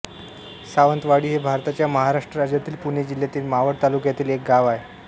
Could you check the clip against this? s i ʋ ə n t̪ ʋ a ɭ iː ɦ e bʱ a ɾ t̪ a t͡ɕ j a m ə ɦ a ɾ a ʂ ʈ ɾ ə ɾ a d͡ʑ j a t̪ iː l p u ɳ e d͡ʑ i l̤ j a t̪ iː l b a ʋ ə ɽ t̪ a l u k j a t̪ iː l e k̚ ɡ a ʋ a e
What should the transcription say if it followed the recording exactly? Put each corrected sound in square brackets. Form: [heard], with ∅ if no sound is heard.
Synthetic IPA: s [a] ʋ ə n t̪ ʋ a [ɽ] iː ɦ e bʱ a ɾ t̪ a t͡ɕ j a m ə ɦ a ɾ a ʂ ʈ ɾ ə ɾ a d͡ʑ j a t̪ iː l p u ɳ e d͡ʑ i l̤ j a t̪ iː l [m] a ʋ ə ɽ t̪ a l u k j a t̪ iː l e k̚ ɡ a ʋ a e